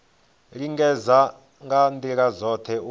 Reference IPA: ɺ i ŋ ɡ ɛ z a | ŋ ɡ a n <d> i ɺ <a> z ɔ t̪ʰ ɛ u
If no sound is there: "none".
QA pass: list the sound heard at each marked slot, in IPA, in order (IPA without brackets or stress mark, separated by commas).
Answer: d, a